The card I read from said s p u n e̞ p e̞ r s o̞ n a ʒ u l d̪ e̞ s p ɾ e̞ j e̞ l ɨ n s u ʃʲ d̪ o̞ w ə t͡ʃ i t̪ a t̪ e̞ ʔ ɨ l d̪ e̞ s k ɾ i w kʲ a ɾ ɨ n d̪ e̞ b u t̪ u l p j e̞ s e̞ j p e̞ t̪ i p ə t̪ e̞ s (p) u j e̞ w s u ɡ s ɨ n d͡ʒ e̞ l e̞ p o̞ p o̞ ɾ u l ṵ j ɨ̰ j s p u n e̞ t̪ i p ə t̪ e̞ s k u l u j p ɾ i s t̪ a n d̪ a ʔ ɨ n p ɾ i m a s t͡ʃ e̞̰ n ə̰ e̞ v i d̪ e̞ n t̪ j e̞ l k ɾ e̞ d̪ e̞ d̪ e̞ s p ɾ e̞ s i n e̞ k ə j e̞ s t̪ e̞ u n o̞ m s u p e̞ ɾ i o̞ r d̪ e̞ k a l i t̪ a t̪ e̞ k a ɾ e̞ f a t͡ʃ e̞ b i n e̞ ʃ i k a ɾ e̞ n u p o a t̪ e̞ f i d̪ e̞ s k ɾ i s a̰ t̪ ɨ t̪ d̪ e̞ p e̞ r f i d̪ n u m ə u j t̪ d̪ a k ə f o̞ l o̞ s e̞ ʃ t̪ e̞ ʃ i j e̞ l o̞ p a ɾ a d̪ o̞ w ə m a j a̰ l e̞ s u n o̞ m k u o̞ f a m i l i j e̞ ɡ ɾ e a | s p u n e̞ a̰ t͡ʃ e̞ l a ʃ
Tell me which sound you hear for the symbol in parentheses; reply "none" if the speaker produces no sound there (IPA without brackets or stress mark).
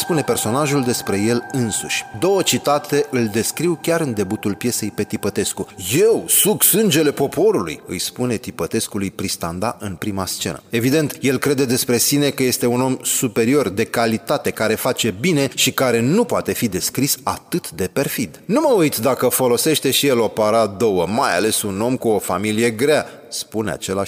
k